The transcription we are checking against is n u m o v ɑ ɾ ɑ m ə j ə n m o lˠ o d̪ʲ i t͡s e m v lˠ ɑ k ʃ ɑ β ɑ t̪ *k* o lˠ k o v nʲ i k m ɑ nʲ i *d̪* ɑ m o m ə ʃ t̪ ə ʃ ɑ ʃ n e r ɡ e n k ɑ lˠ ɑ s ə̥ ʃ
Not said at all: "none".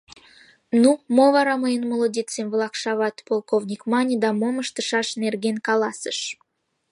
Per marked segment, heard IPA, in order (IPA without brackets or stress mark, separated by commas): p, d̪